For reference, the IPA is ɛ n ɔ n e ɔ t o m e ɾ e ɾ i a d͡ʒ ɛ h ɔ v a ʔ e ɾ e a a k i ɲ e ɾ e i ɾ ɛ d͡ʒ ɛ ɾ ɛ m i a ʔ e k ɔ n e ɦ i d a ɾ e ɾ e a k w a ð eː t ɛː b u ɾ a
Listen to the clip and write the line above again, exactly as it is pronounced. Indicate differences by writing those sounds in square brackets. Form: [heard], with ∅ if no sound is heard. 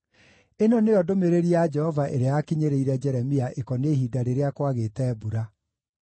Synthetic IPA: [e] n ɔ n e ɔ [d] o m e ɾ e ɾ i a d͡ʒ ɛ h ɔ v a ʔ e ɾ e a a k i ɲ e ɾ e i ɾ ɛ d͡ʒ ɛ ɾ ɛ m i a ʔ e k ɔ n e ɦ i d a ɾ e ɾ e a k w a [ɣ] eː t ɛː b u ɾ a